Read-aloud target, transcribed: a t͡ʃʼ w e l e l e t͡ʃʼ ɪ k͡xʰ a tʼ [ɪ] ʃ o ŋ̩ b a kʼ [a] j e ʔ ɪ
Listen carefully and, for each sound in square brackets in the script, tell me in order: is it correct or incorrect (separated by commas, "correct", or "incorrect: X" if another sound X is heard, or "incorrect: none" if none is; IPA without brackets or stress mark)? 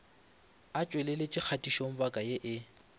incorrect: i, correct